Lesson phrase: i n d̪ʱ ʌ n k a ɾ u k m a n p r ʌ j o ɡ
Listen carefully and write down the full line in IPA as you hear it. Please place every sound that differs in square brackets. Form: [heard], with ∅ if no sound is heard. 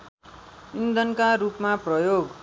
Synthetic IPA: i n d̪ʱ ʌ n k a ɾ u [p] m a [∅] p r ʌ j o ɡ